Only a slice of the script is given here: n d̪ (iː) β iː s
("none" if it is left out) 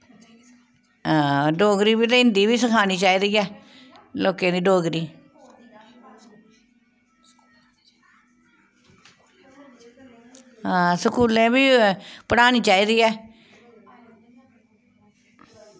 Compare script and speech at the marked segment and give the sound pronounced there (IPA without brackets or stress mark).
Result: iː